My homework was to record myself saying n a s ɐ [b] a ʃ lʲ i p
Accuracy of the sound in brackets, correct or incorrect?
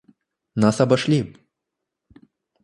correct